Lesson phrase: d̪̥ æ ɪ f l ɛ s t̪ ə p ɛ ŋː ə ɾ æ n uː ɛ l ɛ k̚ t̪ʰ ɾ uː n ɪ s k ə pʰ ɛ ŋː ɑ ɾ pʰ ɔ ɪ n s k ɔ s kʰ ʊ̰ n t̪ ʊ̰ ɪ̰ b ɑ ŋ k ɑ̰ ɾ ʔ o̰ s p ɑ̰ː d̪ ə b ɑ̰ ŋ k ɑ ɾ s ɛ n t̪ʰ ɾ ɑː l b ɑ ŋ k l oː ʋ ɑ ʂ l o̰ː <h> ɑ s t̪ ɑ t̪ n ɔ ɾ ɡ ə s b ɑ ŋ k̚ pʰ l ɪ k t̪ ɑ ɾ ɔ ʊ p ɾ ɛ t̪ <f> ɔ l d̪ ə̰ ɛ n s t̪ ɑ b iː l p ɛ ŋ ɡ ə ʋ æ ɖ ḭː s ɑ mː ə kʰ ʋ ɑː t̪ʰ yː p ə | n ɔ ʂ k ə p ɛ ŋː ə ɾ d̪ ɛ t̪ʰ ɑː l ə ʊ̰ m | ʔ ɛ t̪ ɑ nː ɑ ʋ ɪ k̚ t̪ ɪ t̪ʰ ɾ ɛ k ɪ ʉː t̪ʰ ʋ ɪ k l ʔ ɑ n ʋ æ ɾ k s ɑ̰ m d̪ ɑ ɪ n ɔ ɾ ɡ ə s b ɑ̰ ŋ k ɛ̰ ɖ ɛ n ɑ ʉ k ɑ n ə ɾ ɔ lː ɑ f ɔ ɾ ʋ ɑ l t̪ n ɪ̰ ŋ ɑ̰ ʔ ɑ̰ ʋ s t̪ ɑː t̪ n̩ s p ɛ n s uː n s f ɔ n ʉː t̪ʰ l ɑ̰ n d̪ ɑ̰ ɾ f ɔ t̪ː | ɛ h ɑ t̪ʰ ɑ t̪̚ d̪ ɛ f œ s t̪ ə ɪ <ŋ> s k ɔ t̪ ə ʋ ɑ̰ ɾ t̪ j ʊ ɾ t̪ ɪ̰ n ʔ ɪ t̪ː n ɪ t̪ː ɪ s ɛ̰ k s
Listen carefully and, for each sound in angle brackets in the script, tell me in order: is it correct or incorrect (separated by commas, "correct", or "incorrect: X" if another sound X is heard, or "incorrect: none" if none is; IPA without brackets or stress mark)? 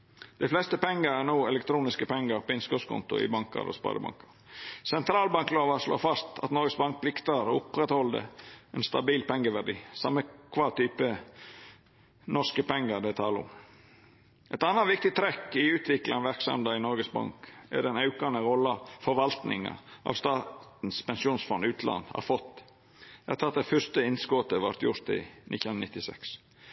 incorrect: f, incorrect: h, incorrect: n